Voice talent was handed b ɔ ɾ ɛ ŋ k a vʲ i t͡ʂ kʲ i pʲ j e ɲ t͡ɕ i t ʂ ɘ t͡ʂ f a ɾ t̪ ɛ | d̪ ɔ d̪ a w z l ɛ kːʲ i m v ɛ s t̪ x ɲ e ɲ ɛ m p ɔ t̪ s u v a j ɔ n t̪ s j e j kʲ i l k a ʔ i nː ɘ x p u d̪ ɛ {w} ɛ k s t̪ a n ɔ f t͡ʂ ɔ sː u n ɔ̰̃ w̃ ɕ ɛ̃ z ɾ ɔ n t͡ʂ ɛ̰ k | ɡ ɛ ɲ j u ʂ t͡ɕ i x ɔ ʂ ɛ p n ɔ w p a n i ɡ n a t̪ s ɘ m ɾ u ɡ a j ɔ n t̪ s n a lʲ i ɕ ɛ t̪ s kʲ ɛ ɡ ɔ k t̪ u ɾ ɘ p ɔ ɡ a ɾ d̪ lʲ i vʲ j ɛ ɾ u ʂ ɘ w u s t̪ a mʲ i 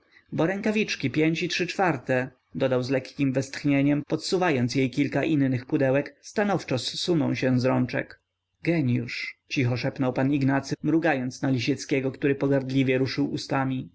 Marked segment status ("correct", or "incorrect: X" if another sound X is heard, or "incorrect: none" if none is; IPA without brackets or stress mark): correct